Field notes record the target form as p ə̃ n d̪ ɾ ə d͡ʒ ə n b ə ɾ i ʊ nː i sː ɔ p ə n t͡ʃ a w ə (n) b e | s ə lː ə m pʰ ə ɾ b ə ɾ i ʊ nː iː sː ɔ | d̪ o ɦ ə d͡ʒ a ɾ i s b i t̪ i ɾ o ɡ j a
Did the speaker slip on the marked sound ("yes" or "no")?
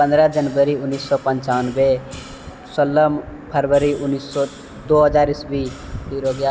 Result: no